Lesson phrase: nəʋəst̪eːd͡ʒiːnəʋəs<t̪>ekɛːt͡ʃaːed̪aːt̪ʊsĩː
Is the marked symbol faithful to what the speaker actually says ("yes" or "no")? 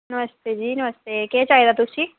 yes